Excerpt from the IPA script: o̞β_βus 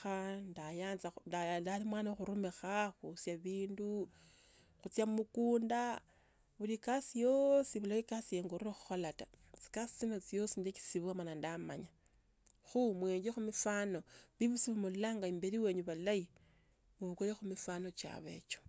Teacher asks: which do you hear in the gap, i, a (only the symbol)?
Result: i